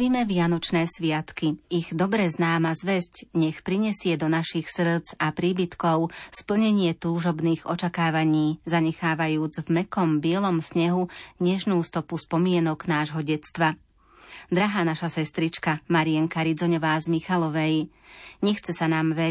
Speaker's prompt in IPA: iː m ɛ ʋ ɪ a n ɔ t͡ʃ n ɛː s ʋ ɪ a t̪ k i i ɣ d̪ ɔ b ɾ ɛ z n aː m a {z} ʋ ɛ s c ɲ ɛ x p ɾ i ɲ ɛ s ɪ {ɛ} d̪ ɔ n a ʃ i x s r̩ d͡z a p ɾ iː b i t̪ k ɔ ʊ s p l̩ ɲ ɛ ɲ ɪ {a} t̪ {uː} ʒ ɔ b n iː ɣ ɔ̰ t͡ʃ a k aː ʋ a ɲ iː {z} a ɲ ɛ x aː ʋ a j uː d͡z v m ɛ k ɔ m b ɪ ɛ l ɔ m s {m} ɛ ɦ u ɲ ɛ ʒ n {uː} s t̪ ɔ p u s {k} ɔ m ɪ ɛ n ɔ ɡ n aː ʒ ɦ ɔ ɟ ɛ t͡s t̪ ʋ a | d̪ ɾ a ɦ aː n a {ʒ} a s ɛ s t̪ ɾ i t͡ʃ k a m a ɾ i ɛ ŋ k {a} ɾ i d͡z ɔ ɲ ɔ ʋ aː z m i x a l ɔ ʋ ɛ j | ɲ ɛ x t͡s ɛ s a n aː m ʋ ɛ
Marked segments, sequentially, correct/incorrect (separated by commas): correct, correct, incorrect, correct, correct, incorrect, correct, incorrect, incorrect, correct